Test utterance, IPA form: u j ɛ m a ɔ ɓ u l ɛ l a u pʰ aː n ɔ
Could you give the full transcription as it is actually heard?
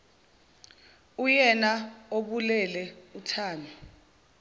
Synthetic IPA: u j ɛ n a o ɓ u l ɛ l ɛ u tʰ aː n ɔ